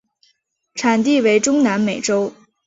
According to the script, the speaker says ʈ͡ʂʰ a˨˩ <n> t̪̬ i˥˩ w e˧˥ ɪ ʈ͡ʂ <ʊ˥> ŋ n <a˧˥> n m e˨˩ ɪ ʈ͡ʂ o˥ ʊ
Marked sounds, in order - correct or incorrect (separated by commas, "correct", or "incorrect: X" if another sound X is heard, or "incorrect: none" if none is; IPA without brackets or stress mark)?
correct, correct, correct